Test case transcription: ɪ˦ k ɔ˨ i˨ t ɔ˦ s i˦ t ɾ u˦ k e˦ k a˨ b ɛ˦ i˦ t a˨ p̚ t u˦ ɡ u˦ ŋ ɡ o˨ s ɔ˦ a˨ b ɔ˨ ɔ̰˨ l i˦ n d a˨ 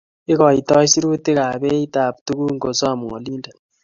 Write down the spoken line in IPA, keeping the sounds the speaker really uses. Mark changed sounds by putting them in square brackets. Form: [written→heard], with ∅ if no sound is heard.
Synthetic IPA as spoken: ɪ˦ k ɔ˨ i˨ t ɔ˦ s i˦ [t→∅] ɾ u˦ [k→t] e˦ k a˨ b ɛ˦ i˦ t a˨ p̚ t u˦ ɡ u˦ ŋ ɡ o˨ s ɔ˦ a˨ [b→m] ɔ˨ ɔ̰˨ l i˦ n d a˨